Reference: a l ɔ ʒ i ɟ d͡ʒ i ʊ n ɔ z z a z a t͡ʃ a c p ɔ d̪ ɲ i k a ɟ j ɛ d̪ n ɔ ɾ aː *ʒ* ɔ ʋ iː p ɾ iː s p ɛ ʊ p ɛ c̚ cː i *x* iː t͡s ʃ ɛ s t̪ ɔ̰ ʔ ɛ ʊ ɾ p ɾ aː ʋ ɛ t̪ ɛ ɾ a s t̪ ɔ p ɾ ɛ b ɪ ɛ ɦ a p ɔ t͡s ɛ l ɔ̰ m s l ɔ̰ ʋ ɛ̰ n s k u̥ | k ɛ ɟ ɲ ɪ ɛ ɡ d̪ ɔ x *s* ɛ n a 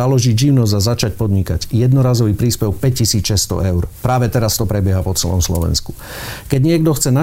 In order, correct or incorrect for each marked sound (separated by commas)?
incorrect, incorrect, incorrect